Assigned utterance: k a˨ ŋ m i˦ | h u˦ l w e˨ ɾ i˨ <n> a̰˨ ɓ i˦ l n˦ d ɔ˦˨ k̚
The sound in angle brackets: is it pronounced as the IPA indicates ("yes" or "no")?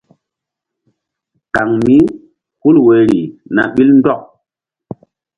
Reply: yes